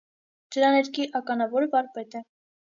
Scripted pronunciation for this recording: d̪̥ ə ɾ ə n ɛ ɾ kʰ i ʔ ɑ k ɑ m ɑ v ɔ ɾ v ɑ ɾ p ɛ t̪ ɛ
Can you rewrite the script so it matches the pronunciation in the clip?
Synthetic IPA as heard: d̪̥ ə ɾ ɑ n ɛ ɾ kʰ i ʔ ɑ k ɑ n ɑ v ɔ ɾ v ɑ ɾ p ɛ t̪ ɛ

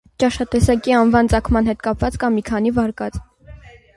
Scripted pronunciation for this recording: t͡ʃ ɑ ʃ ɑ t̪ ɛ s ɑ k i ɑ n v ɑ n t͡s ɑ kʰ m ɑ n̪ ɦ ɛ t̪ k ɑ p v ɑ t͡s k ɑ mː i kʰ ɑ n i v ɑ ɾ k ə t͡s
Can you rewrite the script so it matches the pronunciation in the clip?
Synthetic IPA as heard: t͡ʃ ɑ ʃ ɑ t̪ ɛ s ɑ k i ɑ n v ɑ n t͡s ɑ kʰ m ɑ n̪ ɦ ɛ t̪ k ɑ p v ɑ t͡s k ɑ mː i kʰ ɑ n i v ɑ ɾ k ɑ t͡s

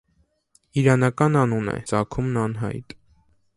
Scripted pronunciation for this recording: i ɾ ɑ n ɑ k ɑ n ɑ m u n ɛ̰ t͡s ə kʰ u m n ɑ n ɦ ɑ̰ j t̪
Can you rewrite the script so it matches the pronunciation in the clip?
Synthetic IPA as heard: i ɾ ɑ n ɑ k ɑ n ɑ n u n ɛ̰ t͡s ɑ kʰ u m n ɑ n ɦ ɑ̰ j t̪

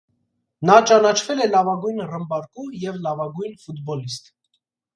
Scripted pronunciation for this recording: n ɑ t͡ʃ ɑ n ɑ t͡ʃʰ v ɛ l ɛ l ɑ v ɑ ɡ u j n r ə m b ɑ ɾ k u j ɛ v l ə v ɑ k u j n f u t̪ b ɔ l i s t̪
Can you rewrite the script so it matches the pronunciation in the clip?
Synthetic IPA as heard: n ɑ t͡ʃ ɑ n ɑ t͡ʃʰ v ɛ l ɛ l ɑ v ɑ ɡ u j n r ə m b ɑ ɾ k u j ɛ v l ɑ v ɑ ɡ u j n f u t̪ b ɔ l i s t̪

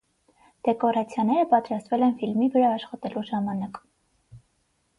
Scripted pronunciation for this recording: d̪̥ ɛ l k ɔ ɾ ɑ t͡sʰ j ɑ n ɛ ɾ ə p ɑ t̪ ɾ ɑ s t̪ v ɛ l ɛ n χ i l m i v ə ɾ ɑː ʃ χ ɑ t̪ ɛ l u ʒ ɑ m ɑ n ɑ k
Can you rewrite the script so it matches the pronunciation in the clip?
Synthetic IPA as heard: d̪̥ ɛ k ɔ ɾ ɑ t͡sʰ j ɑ n ɛ ɾ ə p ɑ t̪ ɾ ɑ s t̪ v ɛ l ɛ n f i l m i v ə ɾ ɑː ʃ χ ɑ t̪ ɛ l u ʒ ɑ m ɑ n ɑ k

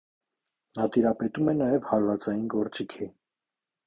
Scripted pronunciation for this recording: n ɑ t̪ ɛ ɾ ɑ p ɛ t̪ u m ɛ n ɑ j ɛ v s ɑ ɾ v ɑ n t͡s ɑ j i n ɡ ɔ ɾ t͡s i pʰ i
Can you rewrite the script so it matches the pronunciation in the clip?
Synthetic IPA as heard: n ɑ t̪ i ɾ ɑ p ɛ t̪ u m ɛ n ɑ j ɛ v h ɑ ɾ v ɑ t͡s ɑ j i n ɡ ɔ ɾ t͡s i kʰ i

